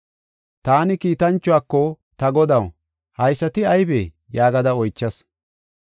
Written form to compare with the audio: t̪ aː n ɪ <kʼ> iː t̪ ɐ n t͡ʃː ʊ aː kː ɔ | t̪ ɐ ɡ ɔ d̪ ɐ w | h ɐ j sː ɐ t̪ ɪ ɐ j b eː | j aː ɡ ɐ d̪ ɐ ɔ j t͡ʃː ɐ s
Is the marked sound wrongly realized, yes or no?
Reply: yes